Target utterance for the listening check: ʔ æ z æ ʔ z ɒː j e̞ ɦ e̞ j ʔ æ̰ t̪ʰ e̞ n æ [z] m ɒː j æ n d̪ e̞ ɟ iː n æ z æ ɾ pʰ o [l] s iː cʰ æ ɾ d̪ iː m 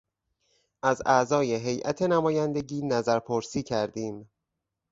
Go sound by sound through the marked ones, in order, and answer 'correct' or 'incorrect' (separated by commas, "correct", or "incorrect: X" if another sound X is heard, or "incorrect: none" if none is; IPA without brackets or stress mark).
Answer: incorrect: none, incorrect: ɾ